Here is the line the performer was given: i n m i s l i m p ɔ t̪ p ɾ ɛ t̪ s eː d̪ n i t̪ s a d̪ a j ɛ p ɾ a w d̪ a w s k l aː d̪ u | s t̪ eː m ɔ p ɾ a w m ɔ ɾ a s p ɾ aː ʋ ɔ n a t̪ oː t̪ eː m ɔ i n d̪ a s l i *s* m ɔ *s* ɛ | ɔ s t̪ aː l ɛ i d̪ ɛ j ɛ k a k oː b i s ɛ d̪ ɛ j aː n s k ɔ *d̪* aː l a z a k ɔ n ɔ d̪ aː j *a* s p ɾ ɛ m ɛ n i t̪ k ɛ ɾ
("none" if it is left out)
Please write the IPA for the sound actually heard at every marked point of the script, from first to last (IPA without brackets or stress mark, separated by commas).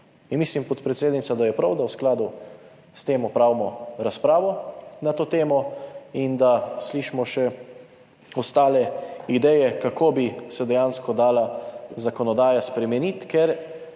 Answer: ʃ, ʃ, d̪, a